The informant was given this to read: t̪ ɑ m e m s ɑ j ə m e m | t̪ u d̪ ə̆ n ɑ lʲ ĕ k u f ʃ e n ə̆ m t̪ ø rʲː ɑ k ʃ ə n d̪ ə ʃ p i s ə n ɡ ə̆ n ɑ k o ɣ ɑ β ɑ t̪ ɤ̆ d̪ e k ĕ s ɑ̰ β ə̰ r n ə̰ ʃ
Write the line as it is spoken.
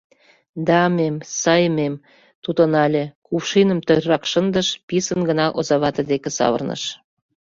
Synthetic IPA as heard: d̪ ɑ m e m s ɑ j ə m e m | t̪ u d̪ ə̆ n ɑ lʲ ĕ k u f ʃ i n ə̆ m t̪ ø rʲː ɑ k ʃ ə n d̪ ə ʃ p i s ə n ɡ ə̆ n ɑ ʔ o z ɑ β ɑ t̪ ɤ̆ d̪ e k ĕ s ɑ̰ β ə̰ r n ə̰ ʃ